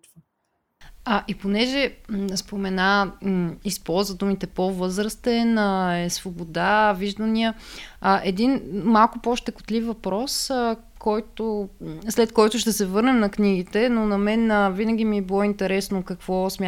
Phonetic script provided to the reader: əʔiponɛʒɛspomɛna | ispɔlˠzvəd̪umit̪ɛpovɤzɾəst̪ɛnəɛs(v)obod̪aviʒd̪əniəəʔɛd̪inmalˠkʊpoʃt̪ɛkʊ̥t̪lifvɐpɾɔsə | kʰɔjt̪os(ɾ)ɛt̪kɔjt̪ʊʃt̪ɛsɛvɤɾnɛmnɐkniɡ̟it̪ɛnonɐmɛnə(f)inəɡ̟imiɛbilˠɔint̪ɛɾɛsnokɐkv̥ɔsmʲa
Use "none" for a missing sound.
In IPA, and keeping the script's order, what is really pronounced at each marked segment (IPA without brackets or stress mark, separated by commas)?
v, l, v